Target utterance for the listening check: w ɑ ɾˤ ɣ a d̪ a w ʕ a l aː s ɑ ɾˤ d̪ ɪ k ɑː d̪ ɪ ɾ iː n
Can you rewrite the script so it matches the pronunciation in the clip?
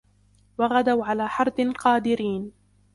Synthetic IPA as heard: w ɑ ɣ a d̪ a w ʕ a l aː ħ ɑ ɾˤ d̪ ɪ q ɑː d̪ ɪ ɾ iː n